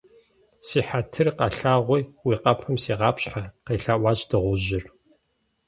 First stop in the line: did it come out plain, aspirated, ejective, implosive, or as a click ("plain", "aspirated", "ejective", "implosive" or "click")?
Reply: aspirated